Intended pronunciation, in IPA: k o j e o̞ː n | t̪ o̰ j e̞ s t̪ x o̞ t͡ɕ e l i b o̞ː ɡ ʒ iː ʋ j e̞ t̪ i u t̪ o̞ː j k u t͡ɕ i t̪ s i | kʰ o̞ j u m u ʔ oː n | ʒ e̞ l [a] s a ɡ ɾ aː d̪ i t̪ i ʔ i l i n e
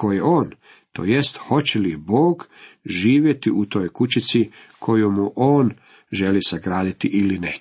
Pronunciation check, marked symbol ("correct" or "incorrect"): incorrect